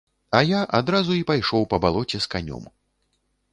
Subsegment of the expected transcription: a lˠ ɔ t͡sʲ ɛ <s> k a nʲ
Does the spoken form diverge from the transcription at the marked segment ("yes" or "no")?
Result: no